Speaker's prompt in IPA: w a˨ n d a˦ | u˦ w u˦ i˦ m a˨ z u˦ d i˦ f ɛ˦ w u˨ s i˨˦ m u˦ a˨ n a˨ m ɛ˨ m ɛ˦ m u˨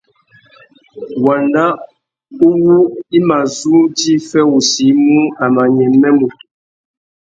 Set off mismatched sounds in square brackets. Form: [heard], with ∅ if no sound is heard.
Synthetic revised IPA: w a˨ n d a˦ | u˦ w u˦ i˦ m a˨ z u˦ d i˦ f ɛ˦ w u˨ s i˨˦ m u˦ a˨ [m] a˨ [ɲ] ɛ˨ m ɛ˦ m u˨